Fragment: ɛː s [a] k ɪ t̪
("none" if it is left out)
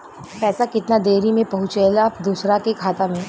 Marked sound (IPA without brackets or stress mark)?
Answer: a